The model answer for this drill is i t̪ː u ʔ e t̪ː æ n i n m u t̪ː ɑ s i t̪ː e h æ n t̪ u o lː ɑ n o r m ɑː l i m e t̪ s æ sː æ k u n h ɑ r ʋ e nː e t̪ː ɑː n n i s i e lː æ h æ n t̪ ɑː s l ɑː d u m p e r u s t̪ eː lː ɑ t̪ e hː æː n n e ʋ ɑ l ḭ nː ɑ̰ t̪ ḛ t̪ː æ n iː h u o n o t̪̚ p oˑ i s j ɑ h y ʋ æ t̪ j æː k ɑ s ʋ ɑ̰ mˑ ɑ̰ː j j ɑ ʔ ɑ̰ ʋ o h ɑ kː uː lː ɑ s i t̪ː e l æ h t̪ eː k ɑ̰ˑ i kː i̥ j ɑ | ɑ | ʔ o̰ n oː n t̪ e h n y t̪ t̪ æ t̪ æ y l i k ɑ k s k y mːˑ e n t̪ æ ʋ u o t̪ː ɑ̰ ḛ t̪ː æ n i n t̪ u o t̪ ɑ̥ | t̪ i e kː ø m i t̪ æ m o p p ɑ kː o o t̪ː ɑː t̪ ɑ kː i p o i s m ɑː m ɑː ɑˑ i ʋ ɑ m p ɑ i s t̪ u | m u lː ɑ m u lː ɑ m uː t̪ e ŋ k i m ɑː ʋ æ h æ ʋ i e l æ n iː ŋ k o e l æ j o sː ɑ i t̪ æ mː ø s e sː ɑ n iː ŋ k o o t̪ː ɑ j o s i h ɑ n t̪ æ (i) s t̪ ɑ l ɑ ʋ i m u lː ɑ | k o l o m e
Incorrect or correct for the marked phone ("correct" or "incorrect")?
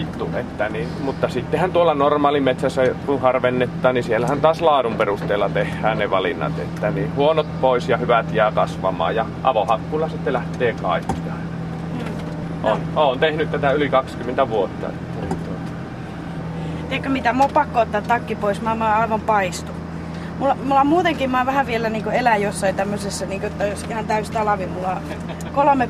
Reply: incorrect